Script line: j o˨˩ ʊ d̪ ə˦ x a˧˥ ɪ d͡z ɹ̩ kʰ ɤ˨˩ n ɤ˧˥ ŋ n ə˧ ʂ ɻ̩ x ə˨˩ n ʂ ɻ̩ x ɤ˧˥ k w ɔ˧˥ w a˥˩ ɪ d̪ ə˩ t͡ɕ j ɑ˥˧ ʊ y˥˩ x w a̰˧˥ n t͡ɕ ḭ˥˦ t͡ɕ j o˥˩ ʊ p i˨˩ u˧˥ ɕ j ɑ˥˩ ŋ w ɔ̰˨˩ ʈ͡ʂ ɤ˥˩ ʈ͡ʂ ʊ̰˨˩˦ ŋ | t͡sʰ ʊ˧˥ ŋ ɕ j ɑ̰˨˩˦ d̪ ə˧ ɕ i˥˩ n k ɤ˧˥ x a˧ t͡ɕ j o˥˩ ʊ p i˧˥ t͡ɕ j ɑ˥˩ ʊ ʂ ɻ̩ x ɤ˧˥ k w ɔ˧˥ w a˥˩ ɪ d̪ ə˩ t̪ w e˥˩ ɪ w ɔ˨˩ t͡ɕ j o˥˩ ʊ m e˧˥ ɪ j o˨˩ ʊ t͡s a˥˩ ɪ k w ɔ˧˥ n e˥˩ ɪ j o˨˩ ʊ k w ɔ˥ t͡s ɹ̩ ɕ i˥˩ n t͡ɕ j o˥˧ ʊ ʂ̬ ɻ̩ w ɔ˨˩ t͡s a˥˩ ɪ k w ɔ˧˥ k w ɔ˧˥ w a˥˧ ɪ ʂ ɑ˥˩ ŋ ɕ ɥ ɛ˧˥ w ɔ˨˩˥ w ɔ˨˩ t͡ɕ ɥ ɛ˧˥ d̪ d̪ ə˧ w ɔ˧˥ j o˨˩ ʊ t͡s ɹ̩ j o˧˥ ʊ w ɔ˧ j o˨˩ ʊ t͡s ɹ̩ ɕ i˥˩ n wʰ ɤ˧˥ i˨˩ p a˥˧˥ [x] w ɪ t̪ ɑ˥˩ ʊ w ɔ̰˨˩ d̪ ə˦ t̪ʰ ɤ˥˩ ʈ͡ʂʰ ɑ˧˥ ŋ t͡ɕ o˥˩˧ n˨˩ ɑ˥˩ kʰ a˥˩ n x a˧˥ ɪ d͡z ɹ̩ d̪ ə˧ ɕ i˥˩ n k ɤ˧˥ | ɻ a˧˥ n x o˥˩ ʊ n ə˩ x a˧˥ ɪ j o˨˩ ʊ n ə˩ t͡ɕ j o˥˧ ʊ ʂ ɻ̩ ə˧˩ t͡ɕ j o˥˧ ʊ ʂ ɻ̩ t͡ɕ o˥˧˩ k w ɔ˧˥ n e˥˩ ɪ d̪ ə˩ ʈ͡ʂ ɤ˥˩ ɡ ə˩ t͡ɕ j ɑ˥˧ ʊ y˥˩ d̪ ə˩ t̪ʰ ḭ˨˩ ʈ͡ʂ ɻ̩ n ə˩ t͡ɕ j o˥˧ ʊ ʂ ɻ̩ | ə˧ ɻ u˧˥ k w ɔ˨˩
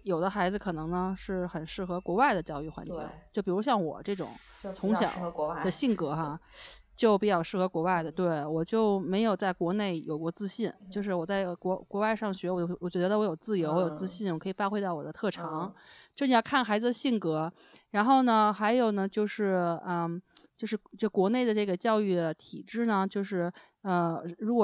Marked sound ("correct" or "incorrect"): correct